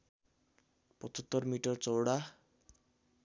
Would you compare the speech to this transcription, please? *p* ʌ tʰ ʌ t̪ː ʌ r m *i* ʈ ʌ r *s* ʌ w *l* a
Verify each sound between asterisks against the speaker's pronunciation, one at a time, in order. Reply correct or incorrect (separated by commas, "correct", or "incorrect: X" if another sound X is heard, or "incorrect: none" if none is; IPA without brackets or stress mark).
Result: correct, correct, incorrect: t͡s, incorrect: ɽ